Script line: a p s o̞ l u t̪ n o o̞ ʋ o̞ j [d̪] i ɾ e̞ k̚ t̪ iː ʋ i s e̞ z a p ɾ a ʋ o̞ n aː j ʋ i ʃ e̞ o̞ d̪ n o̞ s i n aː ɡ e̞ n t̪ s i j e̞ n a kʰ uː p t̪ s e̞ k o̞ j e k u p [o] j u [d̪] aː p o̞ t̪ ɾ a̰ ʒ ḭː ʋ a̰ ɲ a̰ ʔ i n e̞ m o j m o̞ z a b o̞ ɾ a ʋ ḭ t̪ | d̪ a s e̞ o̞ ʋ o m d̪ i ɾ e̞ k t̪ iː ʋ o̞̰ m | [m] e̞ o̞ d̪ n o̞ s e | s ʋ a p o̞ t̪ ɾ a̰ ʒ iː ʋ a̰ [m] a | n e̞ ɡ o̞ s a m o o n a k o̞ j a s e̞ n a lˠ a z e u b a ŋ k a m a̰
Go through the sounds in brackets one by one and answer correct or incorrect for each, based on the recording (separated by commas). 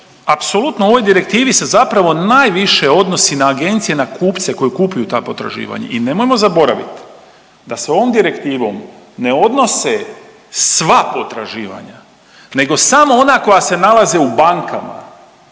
correct, incorrect, incorrect, incorrect, incorrect